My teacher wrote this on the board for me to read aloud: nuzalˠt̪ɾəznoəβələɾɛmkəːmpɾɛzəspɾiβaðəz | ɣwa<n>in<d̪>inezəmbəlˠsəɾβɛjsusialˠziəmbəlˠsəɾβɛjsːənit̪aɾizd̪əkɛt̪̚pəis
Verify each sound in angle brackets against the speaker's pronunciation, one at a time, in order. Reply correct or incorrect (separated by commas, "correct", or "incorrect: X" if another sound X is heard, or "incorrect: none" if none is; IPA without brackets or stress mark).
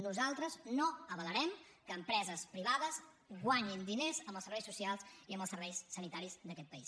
incorrect: ɲ, correct